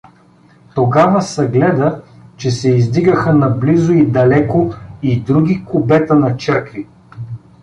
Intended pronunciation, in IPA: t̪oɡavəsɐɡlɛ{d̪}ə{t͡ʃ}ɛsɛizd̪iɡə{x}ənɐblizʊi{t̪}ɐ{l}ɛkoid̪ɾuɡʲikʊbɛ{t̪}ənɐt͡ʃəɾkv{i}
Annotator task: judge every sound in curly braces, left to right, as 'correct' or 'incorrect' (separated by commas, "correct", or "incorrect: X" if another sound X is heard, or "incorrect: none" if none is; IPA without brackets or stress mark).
correct, correct, correct, incorrect: d̪, correct, correct, correct